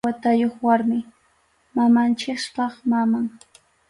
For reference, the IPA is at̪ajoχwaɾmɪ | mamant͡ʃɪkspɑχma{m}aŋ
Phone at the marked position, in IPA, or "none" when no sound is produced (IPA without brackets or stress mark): m